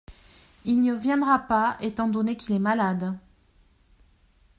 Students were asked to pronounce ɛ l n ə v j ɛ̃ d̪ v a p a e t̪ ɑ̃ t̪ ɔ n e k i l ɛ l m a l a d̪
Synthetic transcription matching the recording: i l n ə v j ɛ̃ d̪ ʁ a p a e t̪ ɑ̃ d̪ ɔ n e k i l ɛ m a l a d̪